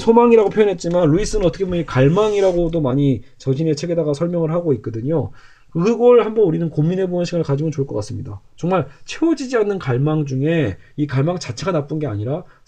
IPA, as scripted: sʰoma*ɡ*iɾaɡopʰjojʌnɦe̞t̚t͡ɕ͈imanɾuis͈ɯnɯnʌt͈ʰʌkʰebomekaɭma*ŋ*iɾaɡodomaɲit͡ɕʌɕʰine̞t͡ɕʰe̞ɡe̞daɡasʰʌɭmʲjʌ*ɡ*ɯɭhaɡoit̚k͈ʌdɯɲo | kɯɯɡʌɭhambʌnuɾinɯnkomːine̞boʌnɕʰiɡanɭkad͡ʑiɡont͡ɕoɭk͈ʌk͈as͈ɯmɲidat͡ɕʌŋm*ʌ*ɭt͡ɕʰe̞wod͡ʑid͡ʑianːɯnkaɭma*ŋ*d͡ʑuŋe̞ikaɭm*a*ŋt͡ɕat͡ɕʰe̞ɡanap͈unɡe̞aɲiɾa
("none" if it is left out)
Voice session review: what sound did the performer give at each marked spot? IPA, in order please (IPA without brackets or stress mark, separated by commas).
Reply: ŋ, ŋ, ŋ, a, ŋ, a